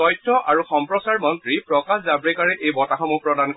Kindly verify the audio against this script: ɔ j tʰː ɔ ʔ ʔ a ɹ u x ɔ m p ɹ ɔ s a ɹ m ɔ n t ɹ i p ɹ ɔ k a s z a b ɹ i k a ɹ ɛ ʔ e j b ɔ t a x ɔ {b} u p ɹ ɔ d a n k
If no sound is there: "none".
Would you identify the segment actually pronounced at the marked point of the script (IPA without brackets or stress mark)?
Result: m